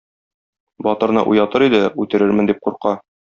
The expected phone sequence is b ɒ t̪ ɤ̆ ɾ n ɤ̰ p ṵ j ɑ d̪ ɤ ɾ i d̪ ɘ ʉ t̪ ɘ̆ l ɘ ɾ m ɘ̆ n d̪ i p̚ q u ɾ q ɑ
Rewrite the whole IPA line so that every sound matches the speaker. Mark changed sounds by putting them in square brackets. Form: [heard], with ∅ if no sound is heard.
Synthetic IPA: b ɒ t̪ ɤ̆ ɾ n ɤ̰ [ʔ] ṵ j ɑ [t̪] ɤ ɾ i d̪ ɘ ʉ t̪ ɘ̆ [ɾ] ɘ ɾ m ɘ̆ n d̪ i p̚ q u ɾ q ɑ